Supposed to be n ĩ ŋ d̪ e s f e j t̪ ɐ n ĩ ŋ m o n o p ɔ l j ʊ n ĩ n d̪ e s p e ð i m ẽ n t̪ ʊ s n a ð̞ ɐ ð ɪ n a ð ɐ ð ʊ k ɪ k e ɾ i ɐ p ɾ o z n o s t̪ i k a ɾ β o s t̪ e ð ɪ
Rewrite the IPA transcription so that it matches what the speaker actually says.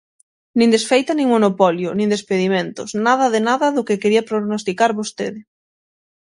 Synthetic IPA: n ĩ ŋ d̪ e s f e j t̪ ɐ n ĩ ŋ m o n o p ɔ l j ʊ n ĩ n d̪ e s p e ð i m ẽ n t̪ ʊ s n a ð̞ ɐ ð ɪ n a ð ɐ ð ʊ k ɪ k e ɾ i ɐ p ɾ o ɣ n o s t̪ i k a ɾ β o s t̪ e ð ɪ